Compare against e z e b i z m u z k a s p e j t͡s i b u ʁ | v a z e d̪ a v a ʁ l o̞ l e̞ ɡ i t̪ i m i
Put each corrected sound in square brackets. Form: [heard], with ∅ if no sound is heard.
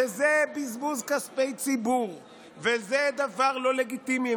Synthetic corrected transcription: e z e b i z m u z k a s p e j t͡s i b u ʁ | v [e] z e d̪ a v a ʁ l o̞ l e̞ ɡ i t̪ i m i